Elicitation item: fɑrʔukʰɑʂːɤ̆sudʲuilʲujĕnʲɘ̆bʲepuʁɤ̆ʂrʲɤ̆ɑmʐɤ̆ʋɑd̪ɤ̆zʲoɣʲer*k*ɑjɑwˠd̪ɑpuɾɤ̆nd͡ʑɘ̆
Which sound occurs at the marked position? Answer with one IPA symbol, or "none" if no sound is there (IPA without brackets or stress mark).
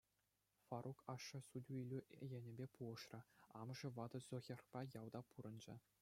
p